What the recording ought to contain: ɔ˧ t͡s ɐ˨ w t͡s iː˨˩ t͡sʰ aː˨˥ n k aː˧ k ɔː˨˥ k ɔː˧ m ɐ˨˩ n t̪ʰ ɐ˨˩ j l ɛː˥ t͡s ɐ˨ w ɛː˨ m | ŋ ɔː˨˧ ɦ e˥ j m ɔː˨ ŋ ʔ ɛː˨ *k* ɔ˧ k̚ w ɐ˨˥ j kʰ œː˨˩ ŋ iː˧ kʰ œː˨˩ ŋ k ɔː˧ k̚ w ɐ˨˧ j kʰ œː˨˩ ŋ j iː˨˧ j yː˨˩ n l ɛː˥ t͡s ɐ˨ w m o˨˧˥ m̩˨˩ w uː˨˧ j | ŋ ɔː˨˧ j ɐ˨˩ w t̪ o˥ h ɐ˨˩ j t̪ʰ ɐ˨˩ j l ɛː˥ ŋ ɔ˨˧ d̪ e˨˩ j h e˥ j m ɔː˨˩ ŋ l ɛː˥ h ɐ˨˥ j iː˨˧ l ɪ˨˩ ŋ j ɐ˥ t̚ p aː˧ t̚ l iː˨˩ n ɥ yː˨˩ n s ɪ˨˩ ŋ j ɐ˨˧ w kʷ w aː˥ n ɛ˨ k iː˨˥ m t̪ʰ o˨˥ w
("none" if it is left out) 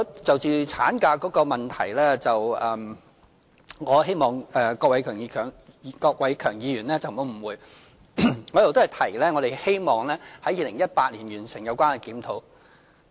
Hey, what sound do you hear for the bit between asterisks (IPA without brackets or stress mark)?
k